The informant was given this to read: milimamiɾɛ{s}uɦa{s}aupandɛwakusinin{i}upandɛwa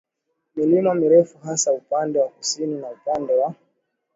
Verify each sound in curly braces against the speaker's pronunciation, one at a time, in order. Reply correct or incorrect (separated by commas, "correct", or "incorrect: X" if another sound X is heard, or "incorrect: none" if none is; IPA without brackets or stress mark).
incorrect: f, correct, incorrect: a